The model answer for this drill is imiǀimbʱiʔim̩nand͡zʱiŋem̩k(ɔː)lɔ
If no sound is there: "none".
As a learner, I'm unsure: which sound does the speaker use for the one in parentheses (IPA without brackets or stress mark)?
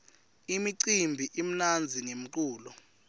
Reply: uː